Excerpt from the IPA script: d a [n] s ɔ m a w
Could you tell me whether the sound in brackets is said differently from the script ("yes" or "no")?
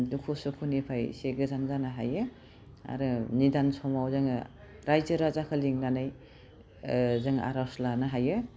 no